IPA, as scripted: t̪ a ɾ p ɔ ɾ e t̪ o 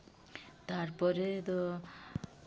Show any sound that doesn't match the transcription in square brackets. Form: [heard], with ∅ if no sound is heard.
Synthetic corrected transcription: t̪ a ɾ p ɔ ɾ e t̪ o